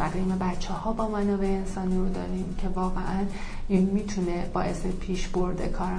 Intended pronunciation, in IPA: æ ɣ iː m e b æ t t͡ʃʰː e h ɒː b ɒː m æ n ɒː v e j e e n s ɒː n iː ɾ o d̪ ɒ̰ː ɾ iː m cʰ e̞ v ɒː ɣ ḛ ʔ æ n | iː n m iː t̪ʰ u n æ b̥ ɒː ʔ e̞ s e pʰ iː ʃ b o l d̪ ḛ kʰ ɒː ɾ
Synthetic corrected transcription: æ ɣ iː m e b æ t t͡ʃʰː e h ɒː b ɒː m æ n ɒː v e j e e n s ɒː n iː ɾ o d̪ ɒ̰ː ɾ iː m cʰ e̞ v ɒː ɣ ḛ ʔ æ n | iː n m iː t̪ʰ u n e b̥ ɒː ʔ e̞ s e pʰ iː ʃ b o ɾ d̪ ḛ kʰ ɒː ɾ